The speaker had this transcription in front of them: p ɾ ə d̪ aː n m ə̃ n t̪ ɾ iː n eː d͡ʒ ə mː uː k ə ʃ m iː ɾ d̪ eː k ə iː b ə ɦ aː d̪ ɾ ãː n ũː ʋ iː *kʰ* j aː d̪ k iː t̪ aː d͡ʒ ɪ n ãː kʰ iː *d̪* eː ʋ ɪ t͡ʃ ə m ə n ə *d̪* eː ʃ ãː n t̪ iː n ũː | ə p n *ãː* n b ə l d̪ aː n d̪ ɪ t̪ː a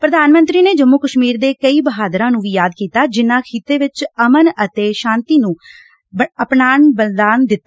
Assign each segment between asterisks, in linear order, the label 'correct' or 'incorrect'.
incorrect, incorrect, incorrect, incorrect

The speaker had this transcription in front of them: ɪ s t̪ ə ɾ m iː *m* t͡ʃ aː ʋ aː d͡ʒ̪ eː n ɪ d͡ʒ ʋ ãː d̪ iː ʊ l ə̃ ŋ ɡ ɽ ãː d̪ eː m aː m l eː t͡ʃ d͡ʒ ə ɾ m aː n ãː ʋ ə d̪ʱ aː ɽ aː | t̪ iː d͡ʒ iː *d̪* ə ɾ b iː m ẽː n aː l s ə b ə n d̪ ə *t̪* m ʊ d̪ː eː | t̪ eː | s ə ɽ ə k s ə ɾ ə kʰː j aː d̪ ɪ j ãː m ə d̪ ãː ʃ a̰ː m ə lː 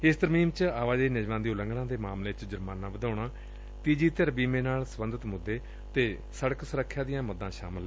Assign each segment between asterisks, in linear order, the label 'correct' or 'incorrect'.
correct, incorrect, correct

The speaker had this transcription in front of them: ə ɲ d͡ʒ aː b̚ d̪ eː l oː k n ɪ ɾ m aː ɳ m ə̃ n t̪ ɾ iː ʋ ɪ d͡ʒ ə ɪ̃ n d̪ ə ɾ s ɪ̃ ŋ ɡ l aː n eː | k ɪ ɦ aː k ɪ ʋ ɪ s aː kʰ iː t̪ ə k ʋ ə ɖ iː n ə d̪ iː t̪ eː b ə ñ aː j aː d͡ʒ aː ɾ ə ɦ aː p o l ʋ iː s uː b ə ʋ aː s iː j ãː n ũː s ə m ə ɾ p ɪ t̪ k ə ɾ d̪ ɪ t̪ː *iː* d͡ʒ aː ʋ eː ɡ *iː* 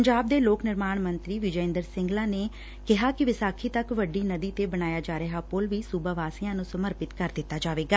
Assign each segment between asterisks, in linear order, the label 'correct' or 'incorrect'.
incorrect, incorrect

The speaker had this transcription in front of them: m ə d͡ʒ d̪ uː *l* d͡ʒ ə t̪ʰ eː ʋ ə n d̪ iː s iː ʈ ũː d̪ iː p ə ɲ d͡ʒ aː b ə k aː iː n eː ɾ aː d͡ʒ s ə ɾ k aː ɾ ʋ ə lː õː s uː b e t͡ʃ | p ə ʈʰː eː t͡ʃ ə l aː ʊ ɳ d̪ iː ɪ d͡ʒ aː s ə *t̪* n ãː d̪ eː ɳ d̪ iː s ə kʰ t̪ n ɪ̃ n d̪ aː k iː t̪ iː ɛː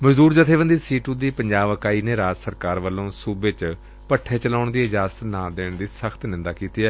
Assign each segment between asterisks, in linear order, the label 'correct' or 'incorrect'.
incorrect, correct

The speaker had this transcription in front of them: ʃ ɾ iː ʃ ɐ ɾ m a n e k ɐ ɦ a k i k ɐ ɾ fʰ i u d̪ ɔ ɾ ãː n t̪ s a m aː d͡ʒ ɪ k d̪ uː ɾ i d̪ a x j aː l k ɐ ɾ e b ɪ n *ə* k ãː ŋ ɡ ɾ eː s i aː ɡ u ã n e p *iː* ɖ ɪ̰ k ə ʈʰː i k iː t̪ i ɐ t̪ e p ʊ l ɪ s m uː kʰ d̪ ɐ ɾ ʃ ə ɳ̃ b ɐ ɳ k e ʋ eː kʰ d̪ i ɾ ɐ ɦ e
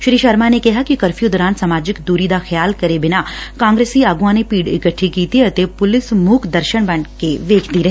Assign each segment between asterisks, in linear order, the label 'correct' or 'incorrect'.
incorrect, correct

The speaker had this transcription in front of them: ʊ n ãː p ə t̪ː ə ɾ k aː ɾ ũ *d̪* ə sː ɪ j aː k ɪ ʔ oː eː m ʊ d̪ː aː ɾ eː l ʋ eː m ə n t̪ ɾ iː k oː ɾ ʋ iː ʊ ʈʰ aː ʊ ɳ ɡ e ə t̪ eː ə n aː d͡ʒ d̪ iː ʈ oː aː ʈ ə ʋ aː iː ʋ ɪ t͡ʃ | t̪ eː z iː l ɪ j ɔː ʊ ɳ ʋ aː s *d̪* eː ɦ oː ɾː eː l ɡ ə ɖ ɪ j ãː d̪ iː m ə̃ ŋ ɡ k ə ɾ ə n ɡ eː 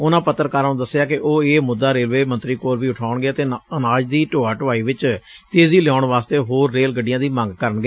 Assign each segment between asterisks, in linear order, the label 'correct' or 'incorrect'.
correct, incorrect

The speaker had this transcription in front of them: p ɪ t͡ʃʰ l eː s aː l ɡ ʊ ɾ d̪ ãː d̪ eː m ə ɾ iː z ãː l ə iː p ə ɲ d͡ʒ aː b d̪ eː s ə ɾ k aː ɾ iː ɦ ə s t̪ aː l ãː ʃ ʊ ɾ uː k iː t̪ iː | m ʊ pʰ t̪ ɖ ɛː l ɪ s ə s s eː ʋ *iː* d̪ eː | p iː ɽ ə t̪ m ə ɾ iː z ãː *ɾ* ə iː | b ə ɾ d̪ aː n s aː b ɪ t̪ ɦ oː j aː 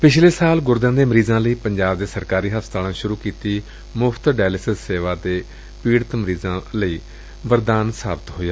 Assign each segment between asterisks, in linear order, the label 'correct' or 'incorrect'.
incorrect, incorrect

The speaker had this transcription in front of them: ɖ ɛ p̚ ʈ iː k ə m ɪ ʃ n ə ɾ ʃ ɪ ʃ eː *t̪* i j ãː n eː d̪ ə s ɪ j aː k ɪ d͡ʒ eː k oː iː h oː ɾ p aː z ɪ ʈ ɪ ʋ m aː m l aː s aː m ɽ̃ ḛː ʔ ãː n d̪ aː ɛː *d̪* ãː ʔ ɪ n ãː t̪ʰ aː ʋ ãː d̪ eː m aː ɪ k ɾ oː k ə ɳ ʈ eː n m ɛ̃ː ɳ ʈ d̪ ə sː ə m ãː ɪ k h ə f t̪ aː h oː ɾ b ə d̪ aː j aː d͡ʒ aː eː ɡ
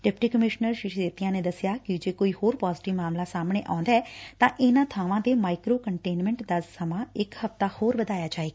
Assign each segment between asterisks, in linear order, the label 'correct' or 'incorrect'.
correct, incorrect

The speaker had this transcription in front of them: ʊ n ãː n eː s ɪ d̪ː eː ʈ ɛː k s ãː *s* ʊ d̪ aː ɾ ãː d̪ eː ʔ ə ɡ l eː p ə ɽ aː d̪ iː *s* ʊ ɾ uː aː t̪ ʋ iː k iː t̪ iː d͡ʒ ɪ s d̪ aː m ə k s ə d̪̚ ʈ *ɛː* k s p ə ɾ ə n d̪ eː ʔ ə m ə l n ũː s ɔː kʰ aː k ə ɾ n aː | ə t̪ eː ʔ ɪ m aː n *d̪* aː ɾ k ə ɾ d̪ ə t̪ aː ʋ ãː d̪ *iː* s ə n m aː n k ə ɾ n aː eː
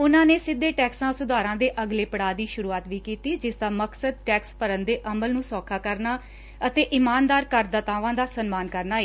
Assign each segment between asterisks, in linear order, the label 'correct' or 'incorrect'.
correct, incorrect, correct, correct, incorrect

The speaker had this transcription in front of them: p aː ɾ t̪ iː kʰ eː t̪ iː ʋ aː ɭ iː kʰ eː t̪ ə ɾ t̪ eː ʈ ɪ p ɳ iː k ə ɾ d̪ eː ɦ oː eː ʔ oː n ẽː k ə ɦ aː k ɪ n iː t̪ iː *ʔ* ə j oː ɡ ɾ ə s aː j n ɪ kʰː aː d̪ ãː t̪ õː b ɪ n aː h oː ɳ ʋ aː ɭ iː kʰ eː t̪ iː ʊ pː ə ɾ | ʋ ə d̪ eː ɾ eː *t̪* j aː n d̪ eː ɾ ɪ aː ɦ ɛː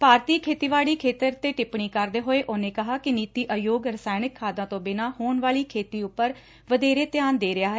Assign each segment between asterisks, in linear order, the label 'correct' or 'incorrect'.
correct, correct

